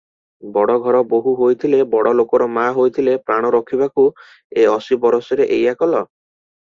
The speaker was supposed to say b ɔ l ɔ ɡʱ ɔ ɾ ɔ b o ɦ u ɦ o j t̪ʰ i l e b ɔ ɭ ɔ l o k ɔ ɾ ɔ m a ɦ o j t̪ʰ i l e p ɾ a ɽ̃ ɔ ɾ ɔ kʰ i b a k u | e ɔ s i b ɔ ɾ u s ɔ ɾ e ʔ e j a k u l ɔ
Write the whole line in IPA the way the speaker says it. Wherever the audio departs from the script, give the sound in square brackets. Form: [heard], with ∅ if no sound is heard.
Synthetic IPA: b ɔ [ɽ] ɔ ɡʱ ɔ ɾ ɔ b o ɦ u ɦ o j t̪ʰ i l e b ɔ [ɽ] ɔ l o k ɔ ɾ ɔ m a ɦ o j t̪ʰ i l e p ɾ a ɽ̃ ɔ ɾ ɔ kʰ i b a k u | e ɔ s i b ɔ ɾ [ɔ] s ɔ ɾ e ʔ e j a k [ɔ] l ɔ